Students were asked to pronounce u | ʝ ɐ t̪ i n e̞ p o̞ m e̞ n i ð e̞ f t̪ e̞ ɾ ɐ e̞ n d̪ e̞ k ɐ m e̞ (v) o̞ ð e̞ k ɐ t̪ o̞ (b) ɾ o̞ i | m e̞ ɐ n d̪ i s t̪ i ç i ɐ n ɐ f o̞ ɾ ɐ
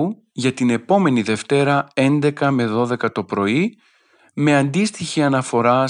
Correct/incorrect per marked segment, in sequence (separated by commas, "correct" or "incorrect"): incorrect, incorrect